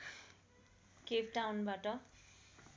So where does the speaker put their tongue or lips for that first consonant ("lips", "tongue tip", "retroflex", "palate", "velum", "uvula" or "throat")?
velum